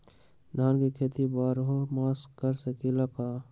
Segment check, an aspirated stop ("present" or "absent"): present